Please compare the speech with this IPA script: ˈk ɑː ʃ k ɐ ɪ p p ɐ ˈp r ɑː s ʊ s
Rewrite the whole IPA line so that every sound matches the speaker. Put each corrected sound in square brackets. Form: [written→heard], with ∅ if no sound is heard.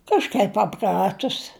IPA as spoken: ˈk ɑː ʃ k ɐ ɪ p p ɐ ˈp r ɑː [s→t] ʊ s